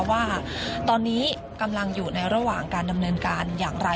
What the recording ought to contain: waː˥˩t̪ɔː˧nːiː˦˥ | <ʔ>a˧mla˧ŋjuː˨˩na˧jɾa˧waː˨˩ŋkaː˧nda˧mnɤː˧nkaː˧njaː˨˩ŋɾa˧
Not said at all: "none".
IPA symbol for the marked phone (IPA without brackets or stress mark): k